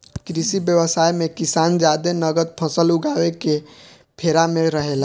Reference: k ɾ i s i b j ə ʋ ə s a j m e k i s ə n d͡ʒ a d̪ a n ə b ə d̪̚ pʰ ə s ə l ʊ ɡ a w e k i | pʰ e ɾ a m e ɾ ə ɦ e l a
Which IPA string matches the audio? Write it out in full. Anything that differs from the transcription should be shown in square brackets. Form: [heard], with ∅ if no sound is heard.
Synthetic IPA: k ɾ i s i b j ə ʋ ə s a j m e k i s [a] n d͡ʒ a d̪ [e] n ə [ɡ] ə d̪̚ pʰ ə s ə l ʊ ɡ a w e k [e] | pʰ e ɾ a m e ɾ ə ɦ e l a